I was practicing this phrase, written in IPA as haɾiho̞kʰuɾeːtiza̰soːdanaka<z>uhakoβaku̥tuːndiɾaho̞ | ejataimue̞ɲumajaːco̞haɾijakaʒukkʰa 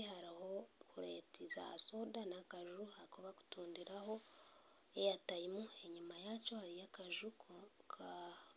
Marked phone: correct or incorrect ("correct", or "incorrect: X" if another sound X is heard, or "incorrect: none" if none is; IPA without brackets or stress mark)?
incorrect: ʒ